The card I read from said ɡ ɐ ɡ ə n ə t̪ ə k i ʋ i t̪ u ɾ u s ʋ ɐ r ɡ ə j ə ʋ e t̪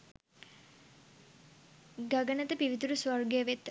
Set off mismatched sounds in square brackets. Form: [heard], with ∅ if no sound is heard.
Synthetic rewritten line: ɡ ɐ ɡ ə n ə t̪ ə [p] i ʋ i t̪ u ɾ u s ʋ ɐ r ɡ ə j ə ʋ e t̪